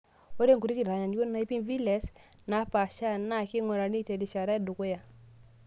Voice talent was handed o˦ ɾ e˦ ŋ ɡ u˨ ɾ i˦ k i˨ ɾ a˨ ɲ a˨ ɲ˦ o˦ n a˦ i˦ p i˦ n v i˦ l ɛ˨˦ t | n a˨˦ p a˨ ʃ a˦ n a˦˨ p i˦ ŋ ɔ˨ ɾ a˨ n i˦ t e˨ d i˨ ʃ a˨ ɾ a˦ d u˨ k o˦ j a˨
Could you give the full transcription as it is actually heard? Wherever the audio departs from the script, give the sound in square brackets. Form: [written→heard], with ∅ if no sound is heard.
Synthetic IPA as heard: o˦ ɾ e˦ ŋ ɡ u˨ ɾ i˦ k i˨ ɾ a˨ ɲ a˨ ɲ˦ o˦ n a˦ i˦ p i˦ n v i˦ l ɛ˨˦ [t→s] | n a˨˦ p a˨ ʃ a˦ n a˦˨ [p→k] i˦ ŋ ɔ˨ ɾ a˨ n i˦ t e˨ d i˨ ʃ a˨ ɾ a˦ d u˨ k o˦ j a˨